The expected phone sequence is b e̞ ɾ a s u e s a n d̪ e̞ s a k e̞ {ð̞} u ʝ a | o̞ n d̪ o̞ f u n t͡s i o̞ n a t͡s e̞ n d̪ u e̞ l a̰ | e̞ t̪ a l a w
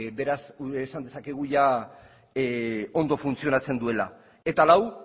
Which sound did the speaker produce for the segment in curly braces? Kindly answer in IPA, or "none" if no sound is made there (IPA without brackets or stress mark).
ɣ̞